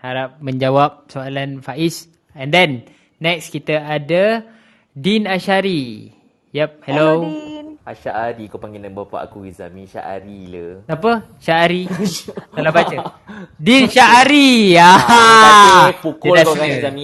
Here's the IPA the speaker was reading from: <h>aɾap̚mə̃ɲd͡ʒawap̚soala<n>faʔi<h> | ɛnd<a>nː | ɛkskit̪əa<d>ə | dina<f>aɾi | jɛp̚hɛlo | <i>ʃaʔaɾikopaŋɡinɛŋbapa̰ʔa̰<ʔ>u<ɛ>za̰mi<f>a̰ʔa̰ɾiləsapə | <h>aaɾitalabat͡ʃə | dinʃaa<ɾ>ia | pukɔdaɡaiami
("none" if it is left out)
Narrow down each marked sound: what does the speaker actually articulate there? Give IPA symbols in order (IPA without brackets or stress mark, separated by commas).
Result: h, n, s, ɛ, d, ʃ, a, k, i, ʃ, ʃ, ɾ